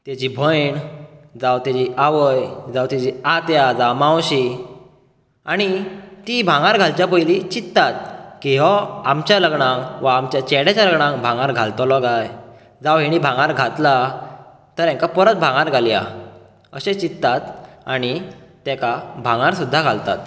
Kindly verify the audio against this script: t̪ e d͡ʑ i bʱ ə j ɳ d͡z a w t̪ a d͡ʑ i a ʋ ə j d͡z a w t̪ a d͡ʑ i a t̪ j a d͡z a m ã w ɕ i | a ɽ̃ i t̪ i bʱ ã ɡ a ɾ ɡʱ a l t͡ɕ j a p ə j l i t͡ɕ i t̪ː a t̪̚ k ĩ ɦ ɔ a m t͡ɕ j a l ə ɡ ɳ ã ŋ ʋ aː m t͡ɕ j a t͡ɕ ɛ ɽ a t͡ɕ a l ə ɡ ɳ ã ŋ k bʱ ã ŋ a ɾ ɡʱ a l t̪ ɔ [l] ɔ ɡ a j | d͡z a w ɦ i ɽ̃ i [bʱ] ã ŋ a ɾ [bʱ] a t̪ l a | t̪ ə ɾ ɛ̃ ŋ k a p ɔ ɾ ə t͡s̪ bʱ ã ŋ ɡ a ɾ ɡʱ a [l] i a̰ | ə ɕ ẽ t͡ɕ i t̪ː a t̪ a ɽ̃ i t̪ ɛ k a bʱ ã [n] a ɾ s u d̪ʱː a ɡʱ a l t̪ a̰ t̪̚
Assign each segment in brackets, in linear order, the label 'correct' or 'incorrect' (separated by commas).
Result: correct, correct, incorrect, correct, incorrect